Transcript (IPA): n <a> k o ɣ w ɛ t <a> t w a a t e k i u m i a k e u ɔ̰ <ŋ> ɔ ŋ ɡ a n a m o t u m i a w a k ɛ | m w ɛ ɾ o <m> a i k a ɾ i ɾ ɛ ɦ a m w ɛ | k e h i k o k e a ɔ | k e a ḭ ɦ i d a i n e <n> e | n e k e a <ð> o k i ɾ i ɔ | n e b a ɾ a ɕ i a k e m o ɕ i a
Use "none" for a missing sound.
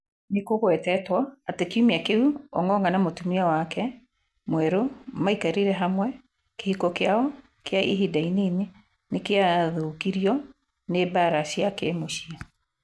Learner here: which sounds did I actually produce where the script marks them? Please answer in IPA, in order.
e, ɛ, ŋ, m, n, ð

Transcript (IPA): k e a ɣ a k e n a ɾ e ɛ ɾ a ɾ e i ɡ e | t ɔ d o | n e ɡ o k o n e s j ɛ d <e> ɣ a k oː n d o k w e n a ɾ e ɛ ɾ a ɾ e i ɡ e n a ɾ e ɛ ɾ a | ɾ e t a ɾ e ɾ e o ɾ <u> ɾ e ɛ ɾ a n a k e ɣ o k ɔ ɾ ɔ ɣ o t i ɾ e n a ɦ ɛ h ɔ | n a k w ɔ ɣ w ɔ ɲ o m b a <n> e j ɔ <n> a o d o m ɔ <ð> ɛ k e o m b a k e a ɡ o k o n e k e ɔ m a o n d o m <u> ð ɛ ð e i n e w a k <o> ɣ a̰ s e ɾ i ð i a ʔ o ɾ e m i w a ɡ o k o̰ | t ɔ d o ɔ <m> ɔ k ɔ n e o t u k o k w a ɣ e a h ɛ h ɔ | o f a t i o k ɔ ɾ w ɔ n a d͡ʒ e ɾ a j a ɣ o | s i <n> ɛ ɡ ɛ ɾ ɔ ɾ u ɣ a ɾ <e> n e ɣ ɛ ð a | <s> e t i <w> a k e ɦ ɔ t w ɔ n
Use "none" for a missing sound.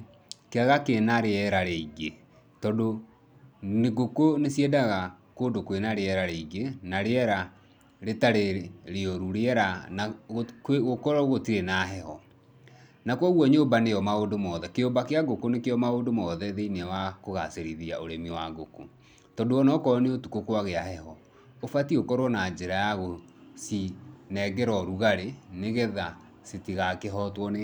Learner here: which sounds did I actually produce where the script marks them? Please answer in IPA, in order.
a, u, n, m, ð, ɔ, o, n, n, e, s, ɣ

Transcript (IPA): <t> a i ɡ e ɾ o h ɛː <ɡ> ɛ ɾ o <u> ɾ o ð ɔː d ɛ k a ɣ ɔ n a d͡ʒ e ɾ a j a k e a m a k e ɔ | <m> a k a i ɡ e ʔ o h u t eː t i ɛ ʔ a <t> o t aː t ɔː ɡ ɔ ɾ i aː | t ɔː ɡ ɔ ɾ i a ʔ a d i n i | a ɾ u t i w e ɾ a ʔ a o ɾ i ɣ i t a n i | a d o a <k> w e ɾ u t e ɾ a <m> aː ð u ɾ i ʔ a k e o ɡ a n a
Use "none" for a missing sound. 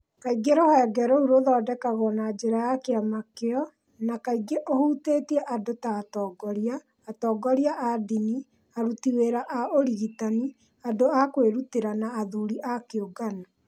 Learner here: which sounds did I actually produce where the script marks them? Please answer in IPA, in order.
k, ɡ, u, n, d, k, n

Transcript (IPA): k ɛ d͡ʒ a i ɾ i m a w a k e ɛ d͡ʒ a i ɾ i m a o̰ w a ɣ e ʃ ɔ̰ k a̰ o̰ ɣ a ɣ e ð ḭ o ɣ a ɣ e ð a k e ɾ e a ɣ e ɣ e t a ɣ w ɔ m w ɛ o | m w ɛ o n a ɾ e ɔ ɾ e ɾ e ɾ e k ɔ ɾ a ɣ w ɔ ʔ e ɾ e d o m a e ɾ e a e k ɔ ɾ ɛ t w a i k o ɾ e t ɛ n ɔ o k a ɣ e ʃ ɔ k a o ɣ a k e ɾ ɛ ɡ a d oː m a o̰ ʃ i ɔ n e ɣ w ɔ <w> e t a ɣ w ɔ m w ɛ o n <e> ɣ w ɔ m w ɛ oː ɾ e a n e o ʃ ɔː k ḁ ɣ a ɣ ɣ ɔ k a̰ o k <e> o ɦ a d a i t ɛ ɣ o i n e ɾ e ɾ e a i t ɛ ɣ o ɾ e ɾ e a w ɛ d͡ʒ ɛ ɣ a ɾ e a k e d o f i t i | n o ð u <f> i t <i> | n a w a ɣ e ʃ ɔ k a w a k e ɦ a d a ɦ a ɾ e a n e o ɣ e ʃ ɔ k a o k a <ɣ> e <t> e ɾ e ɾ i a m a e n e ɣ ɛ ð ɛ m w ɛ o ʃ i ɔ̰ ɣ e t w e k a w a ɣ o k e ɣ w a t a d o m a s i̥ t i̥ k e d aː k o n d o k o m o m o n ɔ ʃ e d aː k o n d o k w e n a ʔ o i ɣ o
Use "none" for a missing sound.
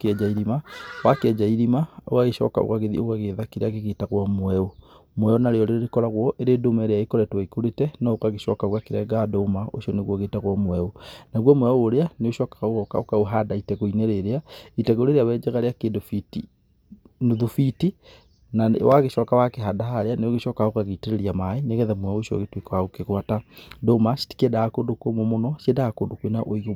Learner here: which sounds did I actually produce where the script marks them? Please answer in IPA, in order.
ɣ, a, a, f, i, ɣ, t

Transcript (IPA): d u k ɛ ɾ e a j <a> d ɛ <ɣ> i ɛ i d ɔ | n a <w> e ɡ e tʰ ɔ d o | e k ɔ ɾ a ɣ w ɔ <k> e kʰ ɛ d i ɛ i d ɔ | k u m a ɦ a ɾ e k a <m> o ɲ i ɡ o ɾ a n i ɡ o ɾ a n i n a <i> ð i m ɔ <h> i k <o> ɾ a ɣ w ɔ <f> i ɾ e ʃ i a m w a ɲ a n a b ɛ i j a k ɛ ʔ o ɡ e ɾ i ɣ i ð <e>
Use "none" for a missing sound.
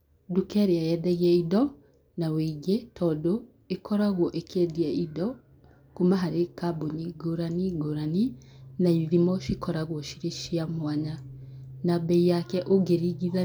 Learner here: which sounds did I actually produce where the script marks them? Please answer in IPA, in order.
ɛ, ɣ, w, ʔ, b, i, ʃ, ɔ, ʃ, a

